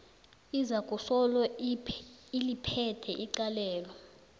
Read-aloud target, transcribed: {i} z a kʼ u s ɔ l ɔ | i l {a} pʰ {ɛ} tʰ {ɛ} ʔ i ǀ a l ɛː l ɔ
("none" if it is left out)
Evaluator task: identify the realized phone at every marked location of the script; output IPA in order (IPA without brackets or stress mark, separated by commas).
i, i, ɛ, ɛ